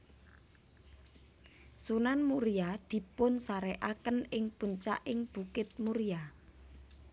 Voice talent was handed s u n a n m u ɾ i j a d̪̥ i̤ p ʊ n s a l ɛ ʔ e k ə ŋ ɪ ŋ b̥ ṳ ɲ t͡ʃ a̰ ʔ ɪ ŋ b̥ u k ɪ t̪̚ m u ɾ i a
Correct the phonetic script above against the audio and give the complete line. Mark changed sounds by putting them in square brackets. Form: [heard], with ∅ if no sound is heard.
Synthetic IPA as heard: s u n a n m u ɾ i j a d̪̥ i̤ p ʊ n s a [ɾ] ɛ ʔ [a] k ə [n] ɪ ŋ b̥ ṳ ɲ t͡ʃ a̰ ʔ ɪ ŋ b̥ u k ɪ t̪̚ m u ɾ i a